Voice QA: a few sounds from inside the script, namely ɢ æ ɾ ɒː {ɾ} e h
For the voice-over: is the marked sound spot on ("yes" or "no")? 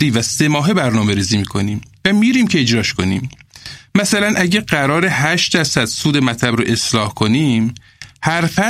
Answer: yes